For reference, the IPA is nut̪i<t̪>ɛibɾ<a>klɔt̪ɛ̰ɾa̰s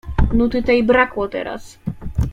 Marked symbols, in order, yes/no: yes, yes

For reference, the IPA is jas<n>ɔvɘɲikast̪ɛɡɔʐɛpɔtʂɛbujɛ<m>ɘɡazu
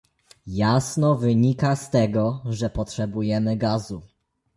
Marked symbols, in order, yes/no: yes, yes

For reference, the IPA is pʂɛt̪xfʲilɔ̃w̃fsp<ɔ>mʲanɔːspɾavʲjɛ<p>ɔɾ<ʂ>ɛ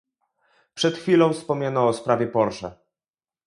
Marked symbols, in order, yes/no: yes, yes, yes

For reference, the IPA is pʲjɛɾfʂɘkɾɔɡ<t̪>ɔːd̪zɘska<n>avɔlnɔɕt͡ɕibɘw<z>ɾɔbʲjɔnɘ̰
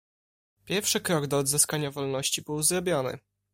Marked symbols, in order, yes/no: no, no, yes

